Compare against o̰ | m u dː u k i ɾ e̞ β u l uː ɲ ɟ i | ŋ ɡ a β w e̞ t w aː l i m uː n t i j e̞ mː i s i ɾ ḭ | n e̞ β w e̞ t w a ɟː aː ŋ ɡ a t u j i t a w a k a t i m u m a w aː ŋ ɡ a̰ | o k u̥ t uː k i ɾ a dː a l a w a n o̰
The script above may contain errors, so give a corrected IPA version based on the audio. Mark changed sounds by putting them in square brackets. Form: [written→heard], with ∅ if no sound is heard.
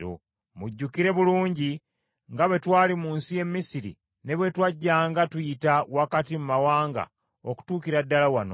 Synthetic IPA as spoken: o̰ | m u [dː→ɟː] u k i ɾ e̞ β u l uː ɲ ɟ i | ŋ ɡ a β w e̞ t w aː l i m uː n [t→s] i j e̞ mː i s i ɾ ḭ | n e̞ β w e̞ t w a ɟː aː ŋ ɡ a t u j i t a w a k a t i m u m a w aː ŋ ɡ a̰ | o k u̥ t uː k i ɾ a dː a l a w a n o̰